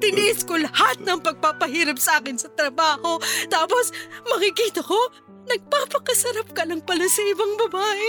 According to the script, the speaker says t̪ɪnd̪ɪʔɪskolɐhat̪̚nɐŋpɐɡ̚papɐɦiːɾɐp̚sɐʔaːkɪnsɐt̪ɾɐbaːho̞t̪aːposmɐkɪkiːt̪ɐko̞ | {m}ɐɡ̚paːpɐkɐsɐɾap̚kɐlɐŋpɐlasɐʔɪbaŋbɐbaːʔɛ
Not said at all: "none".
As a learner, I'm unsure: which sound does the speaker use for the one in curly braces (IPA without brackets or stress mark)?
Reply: n